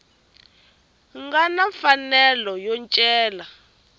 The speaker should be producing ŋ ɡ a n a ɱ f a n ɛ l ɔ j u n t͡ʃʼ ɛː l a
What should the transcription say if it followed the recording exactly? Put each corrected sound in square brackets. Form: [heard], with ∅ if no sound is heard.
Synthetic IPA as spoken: ŋ ɡ a n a ɱ f a n ɛ l ɔ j [ɔ] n t͡ʃʼ ɛː l a